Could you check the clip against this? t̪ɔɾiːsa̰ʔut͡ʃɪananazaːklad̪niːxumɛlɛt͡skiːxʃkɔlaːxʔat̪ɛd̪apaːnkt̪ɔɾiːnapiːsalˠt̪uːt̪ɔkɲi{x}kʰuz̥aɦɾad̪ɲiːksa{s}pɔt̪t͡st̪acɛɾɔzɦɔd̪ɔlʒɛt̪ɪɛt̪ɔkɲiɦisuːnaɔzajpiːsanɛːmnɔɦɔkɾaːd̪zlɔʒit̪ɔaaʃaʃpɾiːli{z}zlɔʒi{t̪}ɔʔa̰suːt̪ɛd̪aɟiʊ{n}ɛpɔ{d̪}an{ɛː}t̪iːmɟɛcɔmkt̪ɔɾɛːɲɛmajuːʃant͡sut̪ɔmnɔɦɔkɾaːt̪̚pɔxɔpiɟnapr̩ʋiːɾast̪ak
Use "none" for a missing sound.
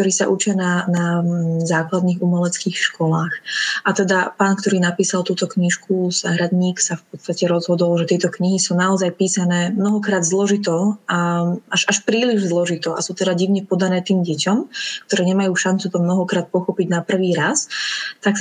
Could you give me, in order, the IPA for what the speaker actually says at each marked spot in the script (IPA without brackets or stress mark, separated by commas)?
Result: ʃ, f, ʒ, t̪, ɲ, d̪, ɛː